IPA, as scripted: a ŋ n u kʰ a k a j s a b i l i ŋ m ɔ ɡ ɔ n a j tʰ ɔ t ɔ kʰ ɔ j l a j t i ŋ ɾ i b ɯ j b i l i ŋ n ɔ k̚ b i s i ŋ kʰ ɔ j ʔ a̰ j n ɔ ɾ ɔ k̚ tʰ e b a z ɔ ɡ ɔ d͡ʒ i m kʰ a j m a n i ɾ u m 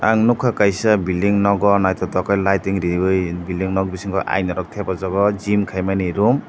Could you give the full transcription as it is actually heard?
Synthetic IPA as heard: a ŋ n u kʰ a k a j s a b i l i ŋ n ɔ ɡ ɔ n a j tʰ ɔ t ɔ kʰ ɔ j l a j t i ŋ ɾ i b ɯ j b i l i ŋ n ɔ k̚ b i s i ŋ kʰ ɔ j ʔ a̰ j n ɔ ɾ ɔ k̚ tʰ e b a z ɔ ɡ ɔ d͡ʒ i m kʰ a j m a n i ɾ u m

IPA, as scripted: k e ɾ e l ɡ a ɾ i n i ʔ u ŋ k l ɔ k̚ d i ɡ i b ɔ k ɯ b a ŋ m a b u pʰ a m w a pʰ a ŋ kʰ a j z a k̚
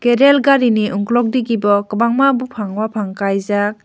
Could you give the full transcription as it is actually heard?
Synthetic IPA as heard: k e ɾ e l ɡ a ɾ i n i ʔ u ŋ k l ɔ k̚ d i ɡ i b ɔ k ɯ b a ŋ m a b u pʰ a ŋ w a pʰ a ŋ k a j z a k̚

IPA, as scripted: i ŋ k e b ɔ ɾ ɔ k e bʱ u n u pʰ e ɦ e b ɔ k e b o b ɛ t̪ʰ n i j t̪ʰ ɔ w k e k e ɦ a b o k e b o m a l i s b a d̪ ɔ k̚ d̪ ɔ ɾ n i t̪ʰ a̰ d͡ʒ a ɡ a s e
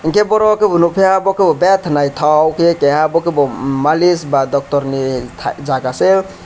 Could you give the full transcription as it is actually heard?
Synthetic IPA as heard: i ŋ k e b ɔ ɾ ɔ k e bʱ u n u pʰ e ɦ a b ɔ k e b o b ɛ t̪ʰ n a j t̪ʰ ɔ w k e k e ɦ a b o k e b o m a l i s b a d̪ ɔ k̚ t̪ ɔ ɾ n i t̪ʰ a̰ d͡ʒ a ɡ a s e

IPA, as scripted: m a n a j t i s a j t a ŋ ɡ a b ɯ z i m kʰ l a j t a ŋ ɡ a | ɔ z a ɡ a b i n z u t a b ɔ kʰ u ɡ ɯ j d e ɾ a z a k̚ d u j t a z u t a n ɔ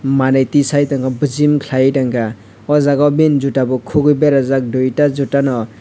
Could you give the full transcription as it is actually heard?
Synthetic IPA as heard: m a n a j t i s a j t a ŋ ɡ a b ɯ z i m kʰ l a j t a ŋ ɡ a | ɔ z a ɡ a b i n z u t a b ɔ kʰ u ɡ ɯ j b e ɾ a z a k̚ d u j t a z u t a n ɔ

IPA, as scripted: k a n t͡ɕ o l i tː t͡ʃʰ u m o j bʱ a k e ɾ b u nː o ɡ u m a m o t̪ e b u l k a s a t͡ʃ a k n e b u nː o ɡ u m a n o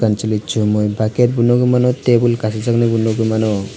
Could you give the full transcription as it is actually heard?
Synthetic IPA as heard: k a n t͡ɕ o l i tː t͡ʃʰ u m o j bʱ a k e ɾ b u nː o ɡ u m a n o t̪ e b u l k a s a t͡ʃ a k n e b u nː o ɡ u m a n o

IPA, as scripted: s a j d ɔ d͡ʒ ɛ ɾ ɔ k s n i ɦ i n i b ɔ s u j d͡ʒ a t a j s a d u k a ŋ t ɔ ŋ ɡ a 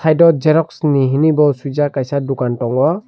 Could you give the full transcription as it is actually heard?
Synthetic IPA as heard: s a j d ɔ d͡ʒ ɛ ɾ ɔ k s n i ɦ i n i b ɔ s u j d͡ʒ a k a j s a d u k a n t ɔ ŋ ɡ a

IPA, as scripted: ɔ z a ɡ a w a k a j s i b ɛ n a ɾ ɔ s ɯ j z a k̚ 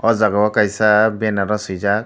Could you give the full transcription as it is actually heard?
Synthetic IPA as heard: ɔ z a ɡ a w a k a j s a b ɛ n a ɾ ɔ s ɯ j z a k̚

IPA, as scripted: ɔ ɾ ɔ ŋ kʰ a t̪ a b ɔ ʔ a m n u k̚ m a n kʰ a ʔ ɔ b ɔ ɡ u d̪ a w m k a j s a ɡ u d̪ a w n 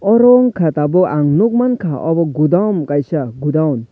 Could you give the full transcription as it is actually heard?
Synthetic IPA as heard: ɔ ɾ ɔ ŋ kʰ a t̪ a b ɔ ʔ a ŋ n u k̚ m a n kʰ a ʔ ɔ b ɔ ɡ u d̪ a w m k a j s a ɡ u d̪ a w n

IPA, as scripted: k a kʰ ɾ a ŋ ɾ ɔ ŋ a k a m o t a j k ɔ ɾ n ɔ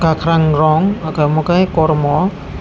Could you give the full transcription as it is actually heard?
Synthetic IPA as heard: k a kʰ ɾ a ŋ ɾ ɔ ŋ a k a m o k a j k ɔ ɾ m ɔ

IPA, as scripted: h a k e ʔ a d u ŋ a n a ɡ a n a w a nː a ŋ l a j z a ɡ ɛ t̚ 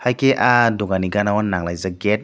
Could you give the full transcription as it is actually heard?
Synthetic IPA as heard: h a k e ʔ a d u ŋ a n i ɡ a n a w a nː a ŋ l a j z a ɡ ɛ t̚

